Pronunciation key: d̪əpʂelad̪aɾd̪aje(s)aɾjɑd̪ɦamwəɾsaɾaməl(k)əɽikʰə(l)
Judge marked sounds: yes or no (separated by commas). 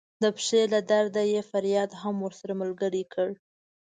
no, no, no